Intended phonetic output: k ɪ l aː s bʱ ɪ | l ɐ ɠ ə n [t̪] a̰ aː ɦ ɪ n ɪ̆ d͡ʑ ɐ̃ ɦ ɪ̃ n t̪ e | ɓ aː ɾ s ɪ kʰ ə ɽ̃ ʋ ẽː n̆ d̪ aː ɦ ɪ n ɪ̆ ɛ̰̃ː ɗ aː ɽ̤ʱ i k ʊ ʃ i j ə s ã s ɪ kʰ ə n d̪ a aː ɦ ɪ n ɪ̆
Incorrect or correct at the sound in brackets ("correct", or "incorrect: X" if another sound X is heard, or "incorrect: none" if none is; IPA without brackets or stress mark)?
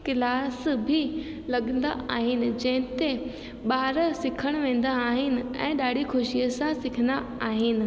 incorrect: d̪